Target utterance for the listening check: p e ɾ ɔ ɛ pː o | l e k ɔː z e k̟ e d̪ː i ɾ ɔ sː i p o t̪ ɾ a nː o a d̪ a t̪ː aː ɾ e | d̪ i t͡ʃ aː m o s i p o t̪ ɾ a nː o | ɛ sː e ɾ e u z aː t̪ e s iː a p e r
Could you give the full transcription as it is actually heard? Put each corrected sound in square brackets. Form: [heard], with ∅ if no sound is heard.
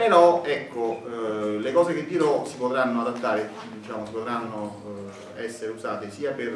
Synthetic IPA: p e ɾ ɔ ɛ [kː] o | l e k ɔː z e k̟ e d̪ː i ɾ ɔ [s] i p o t̪ ɾ a nː o a d̪ a t̪ː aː ɾ e | d̪ i t͡ʃ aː m o s i p o t̪ ɾ a nː o | ɛ sː e ɾ e u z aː t̪ e s iː a p e r